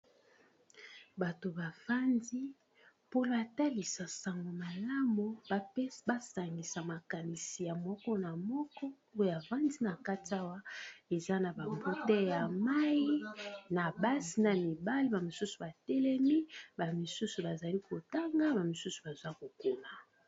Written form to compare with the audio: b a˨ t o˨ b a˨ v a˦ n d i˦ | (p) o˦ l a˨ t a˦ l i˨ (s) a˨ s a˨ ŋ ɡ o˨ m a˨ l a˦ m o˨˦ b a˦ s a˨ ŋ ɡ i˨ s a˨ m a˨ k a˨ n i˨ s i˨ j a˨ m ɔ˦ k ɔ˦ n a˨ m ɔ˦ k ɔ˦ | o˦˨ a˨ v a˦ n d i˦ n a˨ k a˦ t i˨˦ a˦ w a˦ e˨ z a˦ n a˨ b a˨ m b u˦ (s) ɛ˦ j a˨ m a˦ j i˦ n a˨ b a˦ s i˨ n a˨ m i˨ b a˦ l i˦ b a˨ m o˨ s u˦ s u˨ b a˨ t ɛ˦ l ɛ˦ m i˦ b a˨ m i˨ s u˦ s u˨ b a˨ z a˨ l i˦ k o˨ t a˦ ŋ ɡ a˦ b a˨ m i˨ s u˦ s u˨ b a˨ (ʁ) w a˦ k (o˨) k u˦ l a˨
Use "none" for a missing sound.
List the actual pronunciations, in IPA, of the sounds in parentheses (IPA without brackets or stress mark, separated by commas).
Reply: p, s, t, z, o˨